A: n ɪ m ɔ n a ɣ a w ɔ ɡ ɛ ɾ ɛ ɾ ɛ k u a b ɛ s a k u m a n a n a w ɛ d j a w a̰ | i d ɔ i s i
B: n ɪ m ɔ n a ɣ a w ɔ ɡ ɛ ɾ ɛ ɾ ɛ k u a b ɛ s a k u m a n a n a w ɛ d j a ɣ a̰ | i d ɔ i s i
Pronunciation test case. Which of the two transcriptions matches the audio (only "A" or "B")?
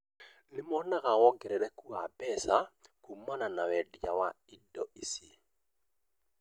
A